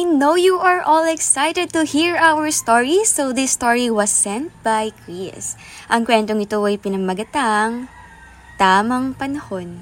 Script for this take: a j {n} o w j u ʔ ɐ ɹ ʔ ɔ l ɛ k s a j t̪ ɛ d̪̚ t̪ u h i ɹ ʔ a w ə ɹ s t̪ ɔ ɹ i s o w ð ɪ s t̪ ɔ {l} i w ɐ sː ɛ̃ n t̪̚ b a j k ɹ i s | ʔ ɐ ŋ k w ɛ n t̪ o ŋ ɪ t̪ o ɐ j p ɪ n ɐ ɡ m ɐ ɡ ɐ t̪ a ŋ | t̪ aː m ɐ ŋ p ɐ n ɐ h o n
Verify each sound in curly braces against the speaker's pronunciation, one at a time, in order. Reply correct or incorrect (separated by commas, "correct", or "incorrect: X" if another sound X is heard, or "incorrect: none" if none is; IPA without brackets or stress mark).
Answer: correct, incorrect: ɹ